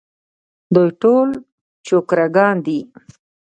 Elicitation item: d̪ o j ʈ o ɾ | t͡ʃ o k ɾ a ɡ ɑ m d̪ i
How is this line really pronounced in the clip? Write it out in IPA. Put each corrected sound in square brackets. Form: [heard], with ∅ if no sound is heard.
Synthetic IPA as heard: d̪ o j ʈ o [l] | t͡ʃ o k ɾ a ɡ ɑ [n] d̪ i